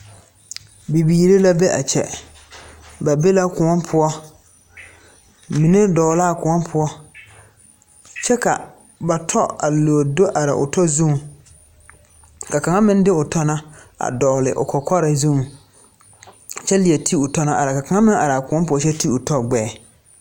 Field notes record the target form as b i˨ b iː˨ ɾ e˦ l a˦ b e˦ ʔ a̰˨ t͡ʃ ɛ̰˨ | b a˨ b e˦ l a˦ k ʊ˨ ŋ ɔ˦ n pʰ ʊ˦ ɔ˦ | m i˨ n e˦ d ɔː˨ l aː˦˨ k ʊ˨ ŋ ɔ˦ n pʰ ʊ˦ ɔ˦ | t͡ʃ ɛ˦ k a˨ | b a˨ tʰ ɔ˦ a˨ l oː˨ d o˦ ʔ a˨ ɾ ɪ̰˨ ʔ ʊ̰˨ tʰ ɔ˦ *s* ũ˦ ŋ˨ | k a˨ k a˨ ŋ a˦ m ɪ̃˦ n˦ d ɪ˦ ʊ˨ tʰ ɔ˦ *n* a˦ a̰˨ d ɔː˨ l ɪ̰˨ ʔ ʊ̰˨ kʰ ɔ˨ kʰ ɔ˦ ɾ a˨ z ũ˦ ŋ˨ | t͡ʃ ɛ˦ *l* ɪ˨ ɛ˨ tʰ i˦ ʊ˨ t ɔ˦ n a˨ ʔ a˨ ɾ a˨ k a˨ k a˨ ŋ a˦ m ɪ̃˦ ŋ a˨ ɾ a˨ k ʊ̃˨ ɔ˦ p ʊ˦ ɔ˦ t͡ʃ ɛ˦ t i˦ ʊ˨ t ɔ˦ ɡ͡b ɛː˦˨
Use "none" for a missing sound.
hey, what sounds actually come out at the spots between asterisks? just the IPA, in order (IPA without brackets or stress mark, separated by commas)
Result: z, n, l